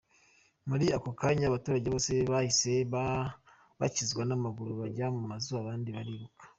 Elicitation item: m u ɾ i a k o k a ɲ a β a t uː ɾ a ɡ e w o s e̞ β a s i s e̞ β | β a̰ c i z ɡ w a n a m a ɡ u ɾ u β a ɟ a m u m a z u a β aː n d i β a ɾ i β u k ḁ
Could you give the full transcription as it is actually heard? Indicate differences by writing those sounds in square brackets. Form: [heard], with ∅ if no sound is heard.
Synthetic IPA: m u ɾ i a k o k a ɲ a β a t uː ɾ a [ɟ] e [β] o s e̞ β a [h] i s e̞ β | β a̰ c i z ɡ w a n a m a ɡ u ɾ u β a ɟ a m u m a z u a β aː n d i β a ɾ i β u k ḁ